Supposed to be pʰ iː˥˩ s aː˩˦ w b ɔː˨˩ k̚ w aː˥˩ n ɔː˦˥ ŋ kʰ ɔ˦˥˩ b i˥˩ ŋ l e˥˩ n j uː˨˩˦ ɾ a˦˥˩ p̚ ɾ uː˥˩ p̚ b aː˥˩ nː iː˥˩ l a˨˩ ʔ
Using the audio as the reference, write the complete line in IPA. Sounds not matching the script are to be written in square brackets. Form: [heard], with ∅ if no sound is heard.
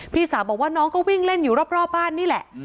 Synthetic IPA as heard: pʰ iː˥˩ s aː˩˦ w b ɔː˨˩ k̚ w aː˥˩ n ɔː˦˥ ŋ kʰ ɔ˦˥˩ [w] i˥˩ ŋ l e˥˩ n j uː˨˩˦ ɾ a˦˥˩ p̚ ɾ [ɔː˥˩] p̚ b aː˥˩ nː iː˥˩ l [ɛ˨˩] ʔ